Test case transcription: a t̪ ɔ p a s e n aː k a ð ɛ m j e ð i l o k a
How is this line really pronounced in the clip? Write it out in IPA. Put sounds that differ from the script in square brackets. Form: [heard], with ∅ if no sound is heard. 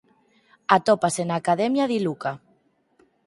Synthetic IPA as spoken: a t̪ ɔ p a s e n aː k a ð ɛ m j [a] ð i l [u] k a